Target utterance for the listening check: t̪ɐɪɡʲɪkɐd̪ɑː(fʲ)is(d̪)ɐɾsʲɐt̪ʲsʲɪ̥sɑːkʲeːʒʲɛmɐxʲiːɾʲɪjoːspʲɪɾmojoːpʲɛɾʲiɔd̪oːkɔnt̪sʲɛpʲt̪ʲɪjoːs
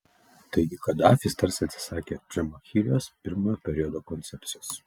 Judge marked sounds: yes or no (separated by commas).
yes, no